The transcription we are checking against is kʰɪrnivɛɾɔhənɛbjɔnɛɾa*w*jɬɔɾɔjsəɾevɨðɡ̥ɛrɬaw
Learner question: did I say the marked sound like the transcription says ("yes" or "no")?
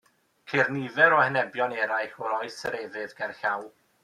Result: no